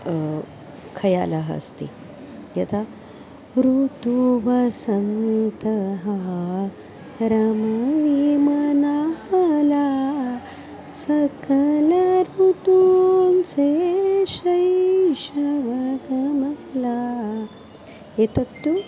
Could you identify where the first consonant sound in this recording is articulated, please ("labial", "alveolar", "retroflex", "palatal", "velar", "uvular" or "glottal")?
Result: velar